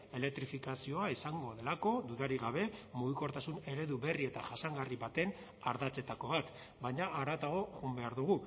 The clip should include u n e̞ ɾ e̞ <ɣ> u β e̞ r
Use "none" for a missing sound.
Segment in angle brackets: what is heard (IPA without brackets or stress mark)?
ð